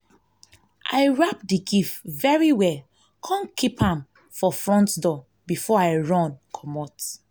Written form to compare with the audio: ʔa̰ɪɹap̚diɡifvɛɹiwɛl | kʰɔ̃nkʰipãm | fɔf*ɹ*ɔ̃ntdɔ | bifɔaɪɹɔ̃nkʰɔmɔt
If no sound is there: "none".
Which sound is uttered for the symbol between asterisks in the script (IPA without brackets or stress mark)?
ɹ